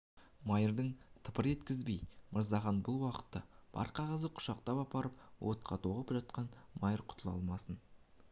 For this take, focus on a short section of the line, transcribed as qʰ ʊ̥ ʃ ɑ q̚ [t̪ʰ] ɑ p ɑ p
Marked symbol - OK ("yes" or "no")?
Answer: no